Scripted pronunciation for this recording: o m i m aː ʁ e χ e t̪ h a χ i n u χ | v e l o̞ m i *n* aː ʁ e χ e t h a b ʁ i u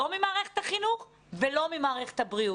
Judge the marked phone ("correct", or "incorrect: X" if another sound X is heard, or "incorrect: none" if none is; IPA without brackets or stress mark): incorrect: m